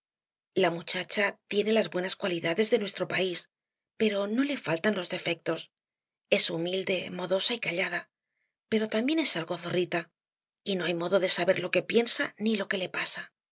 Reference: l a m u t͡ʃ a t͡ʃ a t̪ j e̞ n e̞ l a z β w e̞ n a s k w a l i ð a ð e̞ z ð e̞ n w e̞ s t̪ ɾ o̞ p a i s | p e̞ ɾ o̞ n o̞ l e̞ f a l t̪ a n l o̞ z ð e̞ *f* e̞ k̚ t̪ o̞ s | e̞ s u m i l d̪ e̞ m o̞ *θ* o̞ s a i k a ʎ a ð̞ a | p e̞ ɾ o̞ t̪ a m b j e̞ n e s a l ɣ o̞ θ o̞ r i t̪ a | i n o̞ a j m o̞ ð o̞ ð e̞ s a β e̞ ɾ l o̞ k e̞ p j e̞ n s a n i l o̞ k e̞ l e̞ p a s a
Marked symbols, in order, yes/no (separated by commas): yes, no